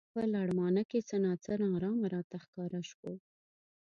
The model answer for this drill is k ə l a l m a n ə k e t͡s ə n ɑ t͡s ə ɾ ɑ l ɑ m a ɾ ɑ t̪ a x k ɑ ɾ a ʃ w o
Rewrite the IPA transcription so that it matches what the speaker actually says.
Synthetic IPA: p ə l a ɽ m ɑ n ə k e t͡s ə n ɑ t͡s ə ɾ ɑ ɾ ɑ m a ɾ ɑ t̪ a x k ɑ ɾ a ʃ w o